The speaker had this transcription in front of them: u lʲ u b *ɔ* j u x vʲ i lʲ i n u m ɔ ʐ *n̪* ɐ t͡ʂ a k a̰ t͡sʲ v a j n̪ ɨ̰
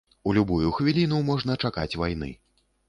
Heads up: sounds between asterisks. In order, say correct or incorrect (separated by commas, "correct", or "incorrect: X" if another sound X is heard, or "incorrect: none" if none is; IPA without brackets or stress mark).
incorrect: u, correct